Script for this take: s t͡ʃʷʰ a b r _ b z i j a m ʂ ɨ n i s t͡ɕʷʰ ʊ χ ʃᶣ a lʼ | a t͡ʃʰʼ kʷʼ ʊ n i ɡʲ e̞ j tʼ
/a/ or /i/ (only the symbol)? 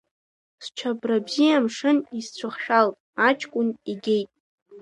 a